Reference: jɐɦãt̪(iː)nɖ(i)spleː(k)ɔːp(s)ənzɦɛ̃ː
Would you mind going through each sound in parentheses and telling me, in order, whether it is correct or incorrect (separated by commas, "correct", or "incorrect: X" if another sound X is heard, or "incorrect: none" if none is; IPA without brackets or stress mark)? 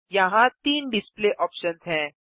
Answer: correct, incorrect: ɪ, incorrect: ʔ, incorrect: ʃ